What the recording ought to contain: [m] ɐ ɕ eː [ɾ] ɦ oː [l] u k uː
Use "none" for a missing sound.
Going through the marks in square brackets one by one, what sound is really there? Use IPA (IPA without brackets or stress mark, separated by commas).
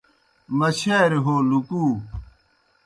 m, ɾ, l